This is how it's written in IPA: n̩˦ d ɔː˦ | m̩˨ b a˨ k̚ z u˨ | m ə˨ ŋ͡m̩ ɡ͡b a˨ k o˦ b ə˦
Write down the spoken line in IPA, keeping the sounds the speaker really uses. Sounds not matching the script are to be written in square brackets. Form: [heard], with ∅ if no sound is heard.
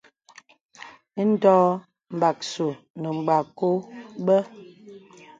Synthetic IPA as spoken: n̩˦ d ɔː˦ | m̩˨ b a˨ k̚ [s] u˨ | [n] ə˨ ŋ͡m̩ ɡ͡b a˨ k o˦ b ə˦